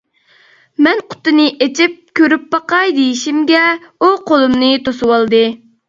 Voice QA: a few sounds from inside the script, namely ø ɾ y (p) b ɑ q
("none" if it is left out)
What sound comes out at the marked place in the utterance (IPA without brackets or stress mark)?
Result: p